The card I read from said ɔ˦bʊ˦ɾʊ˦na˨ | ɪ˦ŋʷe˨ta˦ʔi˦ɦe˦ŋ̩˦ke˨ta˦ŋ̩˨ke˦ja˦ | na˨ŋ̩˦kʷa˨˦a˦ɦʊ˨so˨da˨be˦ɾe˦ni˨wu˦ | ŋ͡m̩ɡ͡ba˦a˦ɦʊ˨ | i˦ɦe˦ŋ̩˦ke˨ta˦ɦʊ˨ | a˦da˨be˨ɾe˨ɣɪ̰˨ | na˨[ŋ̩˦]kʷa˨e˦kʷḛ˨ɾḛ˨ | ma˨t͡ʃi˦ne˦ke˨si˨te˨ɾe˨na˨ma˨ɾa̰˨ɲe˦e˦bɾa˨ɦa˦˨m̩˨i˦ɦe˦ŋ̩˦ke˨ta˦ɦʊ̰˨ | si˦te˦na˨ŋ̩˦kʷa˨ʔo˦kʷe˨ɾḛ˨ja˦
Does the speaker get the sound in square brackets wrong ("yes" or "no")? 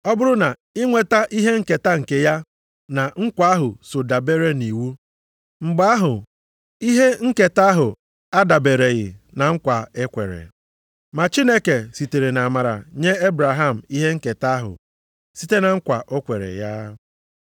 no